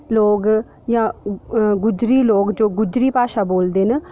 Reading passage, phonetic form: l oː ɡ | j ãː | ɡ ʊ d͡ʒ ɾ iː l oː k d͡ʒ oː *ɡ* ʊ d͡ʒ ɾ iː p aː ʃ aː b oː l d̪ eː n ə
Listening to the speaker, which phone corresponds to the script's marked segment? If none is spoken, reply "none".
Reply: ɡ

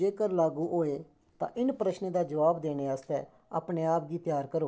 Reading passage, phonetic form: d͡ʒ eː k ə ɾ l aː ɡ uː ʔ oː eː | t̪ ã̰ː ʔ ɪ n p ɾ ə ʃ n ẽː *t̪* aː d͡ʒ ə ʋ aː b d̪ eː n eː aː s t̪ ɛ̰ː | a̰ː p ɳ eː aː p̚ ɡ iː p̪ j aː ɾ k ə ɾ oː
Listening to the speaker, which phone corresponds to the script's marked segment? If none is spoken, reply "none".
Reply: d̪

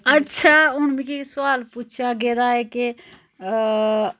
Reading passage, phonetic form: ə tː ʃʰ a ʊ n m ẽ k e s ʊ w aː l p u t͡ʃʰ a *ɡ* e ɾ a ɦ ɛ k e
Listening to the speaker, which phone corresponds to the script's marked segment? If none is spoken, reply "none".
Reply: ɡ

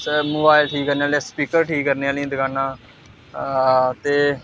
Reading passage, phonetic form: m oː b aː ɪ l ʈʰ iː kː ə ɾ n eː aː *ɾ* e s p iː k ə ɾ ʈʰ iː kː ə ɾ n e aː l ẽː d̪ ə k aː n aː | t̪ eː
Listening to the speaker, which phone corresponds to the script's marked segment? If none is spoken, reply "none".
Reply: l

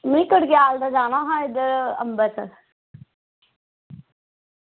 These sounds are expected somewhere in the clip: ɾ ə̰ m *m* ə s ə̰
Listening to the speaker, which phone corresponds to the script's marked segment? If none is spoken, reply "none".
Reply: b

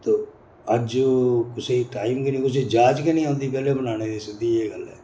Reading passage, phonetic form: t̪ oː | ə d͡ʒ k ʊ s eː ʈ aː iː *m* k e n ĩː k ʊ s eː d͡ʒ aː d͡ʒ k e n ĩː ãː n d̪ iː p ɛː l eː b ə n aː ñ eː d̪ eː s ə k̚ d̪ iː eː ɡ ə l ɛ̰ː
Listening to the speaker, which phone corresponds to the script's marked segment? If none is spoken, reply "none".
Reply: m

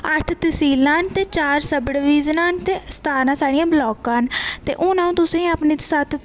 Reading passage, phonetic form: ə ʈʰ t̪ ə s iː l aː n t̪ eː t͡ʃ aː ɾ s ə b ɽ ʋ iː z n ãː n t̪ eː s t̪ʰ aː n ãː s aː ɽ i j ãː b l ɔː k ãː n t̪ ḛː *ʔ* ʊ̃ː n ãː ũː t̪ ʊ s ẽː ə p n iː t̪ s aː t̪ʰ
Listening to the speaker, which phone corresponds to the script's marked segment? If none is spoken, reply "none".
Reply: ʔ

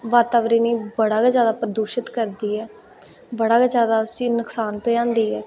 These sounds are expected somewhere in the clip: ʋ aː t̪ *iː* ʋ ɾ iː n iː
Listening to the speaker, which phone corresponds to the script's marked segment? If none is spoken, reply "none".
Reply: aː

